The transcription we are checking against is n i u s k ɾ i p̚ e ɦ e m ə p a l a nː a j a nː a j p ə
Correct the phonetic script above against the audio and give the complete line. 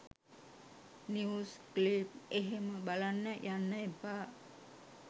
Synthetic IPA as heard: n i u s k l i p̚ e ɦ e m ə b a l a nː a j a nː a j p a